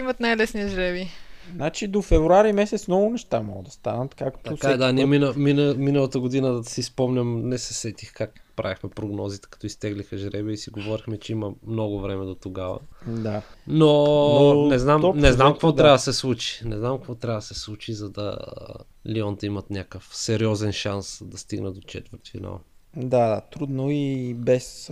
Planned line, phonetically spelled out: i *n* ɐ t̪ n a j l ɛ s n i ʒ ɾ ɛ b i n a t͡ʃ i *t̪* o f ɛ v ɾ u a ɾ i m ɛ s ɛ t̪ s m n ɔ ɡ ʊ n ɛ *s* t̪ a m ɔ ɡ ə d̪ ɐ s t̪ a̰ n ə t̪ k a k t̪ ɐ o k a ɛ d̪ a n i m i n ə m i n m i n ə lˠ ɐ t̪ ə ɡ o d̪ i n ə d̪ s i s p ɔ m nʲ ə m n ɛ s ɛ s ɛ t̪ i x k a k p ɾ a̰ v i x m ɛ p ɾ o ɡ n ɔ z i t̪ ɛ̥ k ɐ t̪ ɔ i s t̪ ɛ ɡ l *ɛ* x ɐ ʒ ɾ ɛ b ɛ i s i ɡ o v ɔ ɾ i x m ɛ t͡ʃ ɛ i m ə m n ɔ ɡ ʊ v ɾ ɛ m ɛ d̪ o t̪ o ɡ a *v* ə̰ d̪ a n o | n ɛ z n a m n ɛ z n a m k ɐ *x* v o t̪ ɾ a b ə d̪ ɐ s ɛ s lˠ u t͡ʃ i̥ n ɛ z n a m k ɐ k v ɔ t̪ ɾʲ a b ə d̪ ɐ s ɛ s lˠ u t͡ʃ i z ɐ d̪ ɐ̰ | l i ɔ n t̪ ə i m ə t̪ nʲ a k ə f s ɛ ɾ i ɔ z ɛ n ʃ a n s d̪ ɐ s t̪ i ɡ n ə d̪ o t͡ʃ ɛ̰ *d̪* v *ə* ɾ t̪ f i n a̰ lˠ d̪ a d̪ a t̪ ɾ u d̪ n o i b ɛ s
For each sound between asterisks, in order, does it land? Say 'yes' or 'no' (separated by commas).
no, no, no, no, yes, no, no, yes